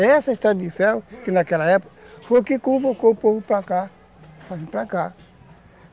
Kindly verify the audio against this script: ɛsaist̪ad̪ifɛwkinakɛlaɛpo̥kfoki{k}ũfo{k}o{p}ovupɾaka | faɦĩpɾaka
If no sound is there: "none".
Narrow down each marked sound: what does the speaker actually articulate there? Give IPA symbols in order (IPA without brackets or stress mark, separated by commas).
k, k, p